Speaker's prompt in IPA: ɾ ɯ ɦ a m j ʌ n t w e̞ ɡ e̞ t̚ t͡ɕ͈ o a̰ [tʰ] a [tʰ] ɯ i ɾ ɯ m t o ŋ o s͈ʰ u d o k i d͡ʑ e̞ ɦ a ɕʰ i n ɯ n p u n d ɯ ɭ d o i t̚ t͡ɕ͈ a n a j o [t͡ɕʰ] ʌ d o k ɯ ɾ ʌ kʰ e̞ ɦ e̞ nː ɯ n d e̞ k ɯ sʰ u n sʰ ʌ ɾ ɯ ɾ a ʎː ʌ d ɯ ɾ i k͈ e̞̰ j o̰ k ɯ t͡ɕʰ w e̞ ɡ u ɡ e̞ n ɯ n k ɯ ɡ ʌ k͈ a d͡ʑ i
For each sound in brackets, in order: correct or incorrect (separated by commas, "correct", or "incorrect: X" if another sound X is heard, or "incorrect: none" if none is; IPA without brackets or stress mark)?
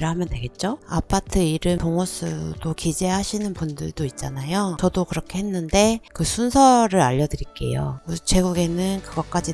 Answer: incorrect: pʰ, correct, incorrect: t͡ɕ